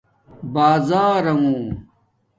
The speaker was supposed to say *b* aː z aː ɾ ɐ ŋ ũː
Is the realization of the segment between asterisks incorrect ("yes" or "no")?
no